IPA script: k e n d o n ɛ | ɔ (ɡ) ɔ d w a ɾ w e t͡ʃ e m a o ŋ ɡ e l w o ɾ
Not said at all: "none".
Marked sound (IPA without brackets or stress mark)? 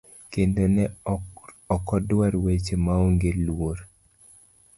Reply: k